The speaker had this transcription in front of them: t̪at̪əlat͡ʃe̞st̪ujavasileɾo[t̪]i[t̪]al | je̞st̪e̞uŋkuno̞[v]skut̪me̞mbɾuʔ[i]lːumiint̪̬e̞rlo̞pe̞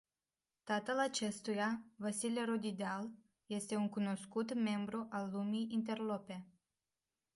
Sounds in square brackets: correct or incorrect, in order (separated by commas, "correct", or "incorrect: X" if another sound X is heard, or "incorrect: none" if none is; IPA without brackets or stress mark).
incorrect: d̪, incorrect: d̪, incorrect: none, incorrect: a